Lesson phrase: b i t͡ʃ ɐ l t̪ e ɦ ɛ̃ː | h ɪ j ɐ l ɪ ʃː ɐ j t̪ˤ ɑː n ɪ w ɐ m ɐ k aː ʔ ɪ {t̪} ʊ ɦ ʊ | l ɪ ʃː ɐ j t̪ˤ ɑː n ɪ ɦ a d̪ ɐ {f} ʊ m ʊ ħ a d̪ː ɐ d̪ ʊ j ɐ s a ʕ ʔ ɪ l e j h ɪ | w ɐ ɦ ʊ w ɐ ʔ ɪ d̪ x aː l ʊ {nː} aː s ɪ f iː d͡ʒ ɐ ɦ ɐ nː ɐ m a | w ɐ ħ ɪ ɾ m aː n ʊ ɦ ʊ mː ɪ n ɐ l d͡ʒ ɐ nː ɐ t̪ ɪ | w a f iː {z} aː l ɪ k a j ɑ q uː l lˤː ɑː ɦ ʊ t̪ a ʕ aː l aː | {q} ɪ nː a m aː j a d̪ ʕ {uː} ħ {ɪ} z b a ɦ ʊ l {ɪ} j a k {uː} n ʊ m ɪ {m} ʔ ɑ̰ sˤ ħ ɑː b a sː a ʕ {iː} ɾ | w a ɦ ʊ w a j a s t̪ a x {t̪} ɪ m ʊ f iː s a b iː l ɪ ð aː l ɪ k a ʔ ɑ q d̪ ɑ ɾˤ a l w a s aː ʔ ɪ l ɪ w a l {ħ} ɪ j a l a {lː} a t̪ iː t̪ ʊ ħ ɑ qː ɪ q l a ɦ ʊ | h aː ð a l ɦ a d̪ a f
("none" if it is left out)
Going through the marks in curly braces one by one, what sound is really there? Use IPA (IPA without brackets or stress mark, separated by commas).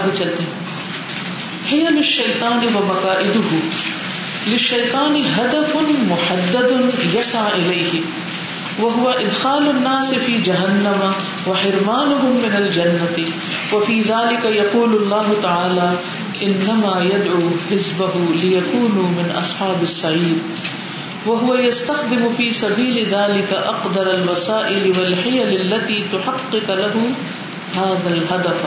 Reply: d̪, f, nː, ð, ʔ, uː, ɪ, ɪ, uː, n, iː, d̪, ħ, lː